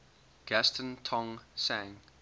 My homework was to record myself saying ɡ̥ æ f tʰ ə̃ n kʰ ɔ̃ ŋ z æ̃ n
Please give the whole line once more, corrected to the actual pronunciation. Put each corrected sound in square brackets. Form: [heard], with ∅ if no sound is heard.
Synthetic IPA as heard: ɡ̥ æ [s] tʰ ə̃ n [tʰ] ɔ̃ ŋ [s] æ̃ [ŋ]